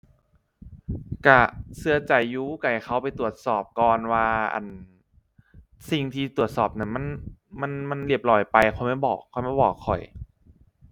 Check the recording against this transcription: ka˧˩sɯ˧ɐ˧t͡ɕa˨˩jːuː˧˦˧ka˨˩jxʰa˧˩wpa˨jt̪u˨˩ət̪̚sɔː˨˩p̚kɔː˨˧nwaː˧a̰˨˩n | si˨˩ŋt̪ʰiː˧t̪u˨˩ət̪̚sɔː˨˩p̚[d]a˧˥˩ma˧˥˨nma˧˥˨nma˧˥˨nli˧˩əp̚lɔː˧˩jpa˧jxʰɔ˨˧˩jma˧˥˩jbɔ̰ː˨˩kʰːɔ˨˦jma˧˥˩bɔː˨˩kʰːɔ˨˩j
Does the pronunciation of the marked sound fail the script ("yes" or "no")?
yes